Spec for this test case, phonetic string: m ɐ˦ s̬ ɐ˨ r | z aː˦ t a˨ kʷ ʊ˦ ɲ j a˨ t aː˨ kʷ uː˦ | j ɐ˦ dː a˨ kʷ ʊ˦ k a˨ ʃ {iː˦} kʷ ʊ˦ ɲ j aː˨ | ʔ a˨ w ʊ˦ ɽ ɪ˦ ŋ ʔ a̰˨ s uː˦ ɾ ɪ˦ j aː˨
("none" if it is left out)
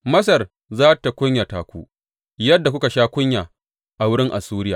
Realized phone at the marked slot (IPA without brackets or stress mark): aː˦